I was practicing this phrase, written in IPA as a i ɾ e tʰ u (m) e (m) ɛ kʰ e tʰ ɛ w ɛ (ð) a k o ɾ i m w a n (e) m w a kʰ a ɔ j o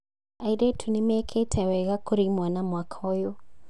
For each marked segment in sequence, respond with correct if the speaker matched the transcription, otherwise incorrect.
incorrect: n, correct, incorrect: ɣ, incorrect: a

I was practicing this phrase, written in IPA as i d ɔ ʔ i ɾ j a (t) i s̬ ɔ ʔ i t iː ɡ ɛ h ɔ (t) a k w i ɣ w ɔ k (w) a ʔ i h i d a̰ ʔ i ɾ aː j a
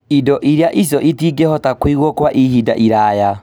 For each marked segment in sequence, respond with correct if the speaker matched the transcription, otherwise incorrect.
incorrect: ʔ, correct, correct

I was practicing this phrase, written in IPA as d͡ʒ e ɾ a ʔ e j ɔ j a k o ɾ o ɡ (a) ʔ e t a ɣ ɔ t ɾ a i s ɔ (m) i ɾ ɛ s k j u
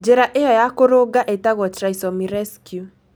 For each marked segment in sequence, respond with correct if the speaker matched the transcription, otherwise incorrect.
correct, correct

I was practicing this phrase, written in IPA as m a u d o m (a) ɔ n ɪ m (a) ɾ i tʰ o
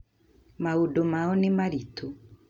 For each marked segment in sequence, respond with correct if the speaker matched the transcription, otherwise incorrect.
correct, correct

